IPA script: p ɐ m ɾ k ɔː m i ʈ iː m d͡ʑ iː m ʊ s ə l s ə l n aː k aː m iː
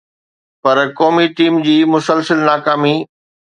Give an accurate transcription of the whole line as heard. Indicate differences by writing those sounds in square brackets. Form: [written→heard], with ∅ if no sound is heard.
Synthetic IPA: p ɐ [m→∅] ɾ k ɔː m i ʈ iː m d͡ʑ iː m ʊ s ə l s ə l n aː k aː m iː